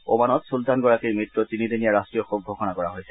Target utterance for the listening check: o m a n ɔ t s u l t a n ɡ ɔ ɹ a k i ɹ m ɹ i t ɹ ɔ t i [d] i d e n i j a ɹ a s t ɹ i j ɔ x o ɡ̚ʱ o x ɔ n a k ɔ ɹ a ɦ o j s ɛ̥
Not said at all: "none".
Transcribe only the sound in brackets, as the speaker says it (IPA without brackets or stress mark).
n